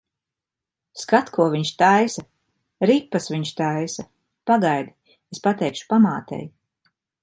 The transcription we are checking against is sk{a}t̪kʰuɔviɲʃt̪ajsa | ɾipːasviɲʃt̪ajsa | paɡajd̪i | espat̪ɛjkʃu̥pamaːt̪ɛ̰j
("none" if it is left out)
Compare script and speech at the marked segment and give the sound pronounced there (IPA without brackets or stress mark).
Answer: a